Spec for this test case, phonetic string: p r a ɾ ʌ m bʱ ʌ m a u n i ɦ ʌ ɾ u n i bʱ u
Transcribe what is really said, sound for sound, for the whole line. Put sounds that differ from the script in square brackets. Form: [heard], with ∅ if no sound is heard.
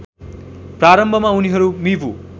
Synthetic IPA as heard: p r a ɾ ʌ m bʱ ʌ m a u n i ɦ ʌ ɾ u [m] i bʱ u